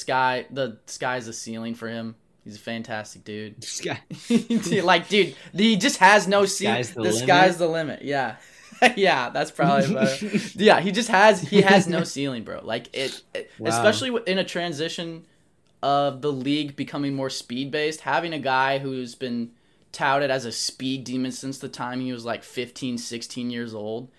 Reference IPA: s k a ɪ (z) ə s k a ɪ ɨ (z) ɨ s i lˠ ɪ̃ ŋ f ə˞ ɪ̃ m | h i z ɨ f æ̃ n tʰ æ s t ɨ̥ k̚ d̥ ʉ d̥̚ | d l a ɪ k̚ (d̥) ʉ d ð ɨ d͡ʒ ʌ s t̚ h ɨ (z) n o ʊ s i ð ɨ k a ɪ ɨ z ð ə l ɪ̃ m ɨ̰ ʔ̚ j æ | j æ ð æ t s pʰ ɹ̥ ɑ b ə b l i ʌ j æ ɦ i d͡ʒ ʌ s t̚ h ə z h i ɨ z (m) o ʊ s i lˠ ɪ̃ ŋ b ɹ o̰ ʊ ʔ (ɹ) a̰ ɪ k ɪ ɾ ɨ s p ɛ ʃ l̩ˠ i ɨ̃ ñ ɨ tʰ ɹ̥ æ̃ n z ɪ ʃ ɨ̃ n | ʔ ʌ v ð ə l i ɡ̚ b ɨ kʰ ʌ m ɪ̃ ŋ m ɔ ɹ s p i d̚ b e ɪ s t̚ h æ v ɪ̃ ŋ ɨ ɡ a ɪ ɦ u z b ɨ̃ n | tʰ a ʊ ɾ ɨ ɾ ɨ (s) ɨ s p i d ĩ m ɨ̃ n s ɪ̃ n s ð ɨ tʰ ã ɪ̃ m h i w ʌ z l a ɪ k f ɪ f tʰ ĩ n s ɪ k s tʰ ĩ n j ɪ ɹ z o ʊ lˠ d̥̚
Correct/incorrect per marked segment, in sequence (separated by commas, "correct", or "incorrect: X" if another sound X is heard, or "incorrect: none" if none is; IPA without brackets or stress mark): incorrect: ð, correct, correct, correct, incorrect: n, incorrect: l, incorrect: z